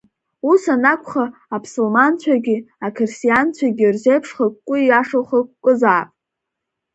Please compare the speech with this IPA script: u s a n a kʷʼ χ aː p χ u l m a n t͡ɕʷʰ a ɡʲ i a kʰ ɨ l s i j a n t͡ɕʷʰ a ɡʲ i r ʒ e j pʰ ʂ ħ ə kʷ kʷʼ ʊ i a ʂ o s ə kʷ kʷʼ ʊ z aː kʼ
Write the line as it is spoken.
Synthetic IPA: u s a n a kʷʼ χ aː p s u l m a n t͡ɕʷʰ a ɡʲ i a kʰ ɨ r s i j a n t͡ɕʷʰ a ɡʲ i r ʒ e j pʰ ʂ χ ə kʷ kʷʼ ʊ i a ʂ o χ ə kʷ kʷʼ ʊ z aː pʼ